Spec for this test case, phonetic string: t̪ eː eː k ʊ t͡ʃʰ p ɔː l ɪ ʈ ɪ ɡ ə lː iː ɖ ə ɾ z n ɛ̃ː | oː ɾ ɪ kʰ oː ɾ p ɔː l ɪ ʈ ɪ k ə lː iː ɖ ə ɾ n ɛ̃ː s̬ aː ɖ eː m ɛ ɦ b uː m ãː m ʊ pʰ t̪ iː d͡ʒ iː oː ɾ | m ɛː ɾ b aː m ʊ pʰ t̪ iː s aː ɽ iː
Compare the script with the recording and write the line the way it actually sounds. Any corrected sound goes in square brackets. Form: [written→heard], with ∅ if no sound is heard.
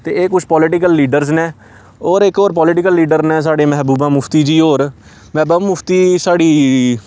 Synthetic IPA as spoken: t̪ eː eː k ʊ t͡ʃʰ p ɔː l ɪ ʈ ɪ [ɡ→k] ə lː iː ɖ ə ɾ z n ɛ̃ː | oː ɾ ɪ [kʰ→k] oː ɾ p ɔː l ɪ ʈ ɪ k ə lː iː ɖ ə ɾ n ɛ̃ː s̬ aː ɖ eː m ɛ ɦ b uː [m→b] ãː m ʊ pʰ t̪ iː d͡ʒ iː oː ɾ | m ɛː [ɾ→∅] b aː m ʊ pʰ t̪ iː s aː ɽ iː